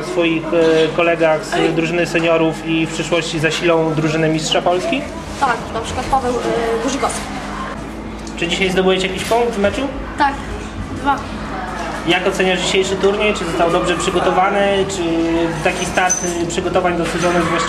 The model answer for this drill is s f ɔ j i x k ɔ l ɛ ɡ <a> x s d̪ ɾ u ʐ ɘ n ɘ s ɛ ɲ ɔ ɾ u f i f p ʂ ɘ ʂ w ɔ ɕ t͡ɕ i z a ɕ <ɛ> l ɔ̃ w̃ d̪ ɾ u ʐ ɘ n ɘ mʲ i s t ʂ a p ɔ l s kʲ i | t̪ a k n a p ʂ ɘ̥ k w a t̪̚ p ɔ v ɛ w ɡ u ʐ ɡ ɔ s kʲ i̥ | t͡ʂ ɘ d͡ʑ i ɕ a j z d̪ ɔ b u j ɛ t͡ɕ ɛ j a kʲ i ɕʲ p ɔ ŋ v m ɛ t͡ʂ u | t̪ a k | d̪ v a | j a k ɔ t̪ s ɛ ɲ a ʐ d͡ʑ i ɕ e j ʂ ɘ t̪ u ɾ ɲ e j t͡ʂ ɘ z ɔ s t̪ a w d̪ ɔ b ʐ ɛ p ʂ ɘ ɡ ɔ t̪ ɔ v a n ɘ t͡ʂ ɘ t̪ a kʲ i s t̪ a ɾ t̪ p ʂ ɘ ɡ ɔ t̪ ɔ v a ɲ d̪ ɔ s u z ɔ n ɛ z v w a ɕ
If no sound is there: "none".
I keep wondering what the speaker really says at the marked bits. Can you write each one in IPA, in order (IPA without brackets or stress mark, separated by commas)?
a, i